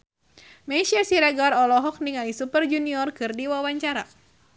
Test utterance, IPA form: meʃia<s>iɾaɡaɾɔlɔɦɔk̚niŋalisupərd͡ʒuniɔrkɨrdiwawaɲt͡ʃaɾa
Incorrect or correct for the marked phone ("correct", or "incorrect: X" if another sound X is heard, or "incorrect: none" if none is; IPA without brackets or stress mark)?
correct